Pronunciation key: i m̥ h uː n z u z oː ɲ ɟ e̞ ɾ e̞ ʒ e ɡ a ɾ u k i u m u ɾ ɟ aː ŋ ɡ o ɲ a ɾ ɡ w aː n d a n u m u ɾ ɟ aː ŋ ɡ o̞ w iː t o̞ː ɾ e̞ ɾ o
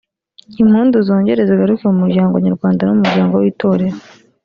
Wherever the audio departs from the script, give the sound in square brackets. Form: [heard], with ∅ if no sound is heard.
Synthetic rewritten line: i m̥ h uː n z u z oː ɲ ɟ e̞ ɾ e̞ [z] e ɡ a ɾ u k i u m u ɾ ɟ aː ŋ ɡ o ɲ a ɾ ɡ w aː n d a n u m u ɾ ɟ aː ŋ ɡ o̞ w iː t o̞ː ɾ e̞ ɾ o